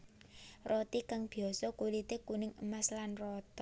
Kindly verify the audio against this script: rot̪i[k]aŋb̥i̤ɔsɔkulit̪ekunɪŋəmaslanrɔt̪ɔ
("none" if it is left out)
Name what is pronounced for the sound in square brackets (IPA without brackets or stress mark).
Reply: k